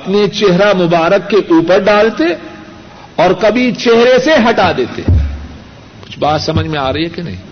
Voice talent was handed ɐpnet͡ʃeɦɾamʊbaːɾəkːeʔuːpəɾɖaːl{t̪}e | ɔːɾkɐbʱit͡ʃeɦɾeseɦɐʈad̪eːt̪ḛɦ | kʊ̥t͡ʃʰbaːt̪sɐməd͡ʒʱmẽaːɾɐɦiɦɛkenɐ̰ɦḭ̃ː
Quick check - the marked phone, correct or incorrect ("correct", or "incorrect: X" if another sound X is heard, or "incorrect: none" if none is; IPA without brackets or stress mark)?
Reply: correct